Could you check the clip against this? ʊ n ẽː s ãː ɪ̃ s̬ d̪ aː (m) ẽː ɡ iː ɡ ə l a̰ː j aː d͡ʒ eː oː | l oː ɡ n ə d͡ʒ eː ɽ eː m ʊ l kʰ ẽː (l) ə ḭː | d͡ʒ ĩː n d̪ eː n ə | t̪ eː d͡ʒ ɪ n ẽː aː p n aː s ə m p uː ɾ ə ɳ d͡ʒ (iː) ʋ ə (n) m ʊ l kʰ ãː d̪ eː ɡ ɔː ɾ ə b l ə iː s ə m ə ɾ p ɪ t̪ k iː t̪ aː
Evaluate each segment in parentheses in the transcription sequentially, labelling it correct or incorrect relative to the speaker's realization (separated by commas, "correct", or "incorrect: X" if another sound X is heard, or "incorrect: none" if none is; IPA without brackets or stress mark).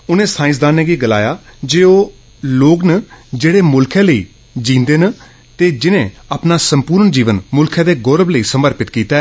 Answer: incorrect: n, correct, correct, correct